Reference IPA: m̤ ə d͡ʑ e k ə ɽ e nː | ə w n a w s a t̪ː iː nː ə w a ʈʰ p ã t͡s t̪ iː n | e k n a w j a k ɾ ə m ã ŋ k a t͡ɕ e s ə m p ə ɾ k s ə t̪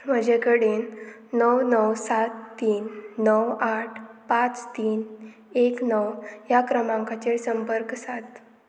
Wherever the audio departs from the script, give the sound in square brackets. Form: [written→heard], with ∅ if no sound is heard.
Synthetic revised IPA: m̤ ə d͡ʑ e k ə ɽ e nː | ə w n [a→ə] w s a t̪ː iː nː ə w a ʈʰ p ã t͡s t̪ iː n | e k n [a→ə] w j a k ɾ ə m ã ŋ k a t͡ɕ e s ə m p ə ɾ k s [ə→a] t̪